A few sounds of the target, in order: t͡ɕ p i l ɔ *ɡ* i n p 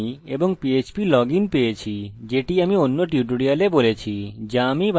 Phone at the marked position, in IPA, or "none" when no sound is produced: ɡ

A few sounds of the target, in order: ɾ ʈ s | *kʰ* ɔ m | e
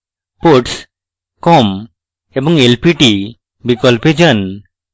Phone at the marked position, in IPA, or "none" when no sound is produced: k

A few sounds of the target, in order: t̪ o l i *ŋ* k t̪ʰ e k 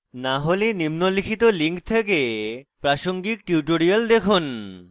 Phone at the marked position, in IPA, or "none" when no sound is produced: ŋ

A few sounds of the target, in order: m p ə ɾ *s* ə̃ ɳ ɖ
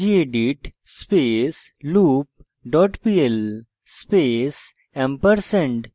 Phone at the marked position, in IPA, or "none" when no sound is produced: s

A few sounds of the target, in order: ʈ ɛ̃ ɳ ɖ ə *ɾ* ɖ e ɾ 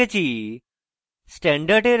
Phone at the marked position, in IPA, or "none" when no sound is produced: ɾ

